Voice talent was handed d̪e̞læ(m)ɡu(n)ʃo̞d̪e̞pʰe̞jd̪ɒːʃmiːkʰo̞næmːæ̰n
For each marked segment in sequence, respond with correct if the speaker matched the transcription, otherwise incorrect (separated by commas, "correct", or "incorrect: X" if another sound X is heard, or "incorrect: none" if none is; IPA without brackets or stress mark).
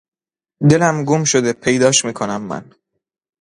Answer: correct, incorrect: m